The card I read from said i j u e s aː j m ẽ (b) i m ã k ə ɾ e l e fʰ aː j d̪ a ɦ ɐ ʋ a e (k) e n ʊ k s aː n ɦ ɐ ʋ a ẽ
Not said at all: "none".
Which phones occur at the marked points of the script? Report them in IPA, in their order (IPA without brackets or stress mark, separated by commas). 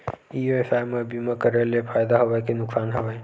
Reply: b, k